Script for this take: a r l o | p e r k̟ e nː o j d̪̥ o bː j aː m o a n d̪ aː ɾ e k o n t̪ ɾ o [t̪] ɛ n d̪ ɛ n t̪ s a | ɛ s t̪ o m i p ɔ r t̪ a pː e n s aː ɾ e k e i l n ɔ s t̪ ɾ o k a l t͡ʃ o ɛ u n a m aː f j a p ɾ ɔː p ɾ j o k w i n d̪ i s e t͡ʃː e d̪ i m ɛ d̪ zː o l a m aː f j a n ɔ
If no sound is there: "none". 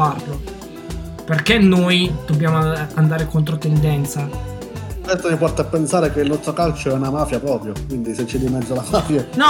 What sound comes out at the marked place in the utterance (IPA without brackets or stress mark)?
t̪